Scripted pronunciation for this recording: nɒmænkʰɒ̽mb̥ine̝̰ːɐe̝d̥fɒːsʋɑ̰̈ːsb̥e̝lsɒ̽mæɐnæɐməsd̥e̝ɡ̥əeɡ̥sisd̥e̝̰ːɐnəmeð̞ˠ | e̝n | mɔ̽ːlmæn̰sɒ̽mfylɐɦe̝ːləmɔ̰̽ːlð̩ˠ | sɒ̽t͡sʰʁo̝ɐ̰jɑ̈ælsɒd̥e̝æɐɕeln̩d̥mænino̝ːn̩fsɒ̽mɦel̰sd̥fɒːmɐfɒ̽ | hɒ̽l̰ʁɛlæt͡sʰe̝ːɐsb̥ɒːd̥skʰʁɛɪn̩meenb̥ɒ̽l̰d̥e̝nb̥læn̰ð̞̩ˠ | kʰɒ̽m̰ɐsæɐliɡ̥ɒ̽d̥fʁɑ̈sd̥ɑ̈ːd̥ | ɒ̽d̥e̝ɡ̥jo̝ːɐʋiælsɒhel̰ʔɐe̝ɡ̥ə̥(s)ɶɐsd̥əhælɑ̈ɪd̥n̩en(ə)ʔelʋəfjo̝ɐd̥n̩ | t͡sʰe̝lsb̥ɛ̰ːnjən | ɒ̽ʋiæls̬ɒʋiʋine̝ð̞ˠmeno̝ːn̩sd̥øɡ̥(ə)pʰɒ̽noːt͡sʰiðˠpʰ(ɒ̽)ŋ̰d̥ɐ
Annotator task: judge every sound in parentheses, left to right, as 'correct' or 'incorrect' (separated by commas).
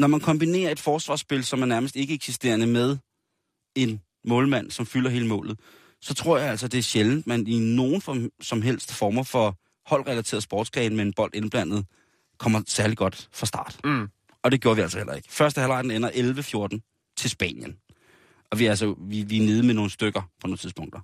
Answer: incorrect, incorrect, incorrect, incorrect